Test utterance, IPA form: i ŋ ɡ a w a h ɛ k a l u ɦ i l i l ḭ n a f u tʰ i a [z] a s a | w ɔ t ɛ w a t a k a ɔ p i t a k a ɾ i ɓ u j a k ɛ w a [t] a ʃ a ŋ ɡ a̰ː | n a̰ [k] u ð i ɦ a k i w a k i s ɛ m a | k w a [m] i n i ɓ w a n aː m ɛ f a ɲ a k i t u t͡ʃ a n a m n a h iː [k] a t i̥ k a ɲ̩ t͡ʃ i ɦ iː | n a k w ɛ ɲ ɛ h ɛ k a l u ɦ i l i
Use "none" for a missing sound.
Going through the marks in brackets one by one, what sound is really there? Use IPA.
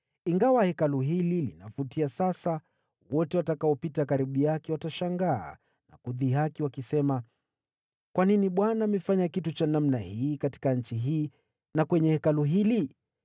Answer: s, t, k, n, k

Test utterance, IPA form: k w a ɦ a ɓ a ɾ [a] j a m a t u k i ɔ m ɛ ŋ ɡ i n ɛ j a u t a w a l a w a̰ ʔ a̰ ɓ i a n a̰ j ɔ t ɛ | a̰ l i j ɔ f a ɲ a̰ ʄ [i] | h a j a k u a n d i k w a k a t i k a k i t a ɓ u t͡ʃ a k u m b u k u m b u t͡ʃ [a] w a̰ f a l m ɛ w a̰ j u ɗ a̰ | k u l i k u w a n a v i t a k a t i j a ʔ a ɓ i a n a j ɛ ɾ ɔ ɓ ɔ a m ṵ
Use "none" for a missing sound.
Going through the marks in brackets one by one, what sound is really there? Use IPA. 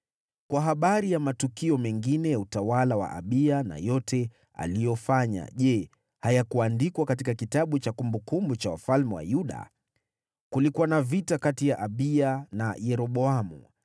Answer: i, ɛ, a

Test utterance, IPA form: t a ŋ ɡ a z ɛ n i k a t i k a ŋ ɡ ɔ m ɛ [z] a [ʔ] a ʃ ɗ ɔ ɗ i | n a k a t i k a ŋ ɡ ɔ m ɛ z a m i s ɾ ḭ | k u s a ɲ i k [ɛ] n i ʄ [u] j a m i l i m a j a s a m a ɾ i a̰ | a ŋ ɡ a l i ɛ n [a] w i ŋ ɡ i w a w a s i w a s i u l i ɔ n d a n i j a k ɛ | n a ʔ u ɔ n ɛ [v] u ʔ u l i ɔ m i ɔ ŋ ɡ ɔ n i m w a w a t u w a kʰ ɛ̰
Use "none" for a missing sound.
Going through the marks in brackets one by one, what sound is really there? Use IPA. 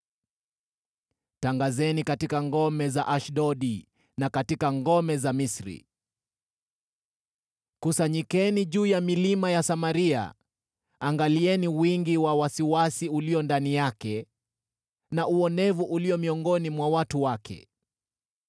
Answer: z, ʔ, ɛ, uː, i, v

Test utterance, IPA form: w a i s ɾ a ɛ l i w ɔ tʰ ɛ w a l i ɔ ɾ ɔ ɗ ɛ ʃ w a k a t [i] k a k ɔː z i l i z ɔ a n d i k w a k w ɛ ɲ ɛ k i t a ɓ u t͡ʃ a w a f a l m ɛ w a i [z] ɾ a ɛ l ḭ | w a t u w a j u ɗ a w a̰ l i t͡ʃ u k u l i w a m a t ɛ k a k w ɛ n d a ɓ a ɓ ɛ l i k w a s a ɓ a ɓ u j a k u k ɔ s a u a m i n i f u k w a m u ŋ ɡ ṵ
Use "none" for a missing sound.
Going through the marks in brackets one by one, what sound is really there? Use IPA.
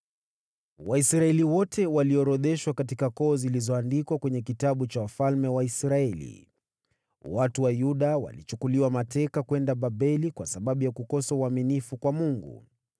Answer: i, s

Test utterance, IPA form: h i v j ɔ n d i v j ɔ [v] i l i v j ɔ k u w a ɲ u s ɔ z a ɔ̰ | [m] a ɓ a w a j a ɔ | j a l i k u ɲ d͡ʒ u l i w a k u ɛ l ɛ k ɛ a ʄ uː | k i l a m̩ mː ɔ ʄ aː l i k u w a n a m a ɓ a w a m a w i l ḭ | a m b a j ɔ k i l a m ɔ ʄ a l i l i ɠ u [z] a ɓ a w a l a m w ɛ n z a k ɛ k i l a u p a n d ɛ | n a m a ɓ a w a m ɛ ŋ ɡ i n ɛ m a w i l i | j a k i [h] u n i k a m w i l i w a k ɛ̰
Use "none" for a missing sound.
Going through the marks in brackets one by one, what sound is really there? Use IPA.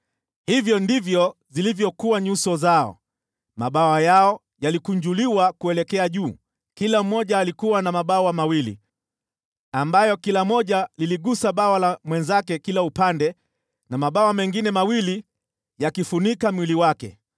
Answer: z, m, s, f

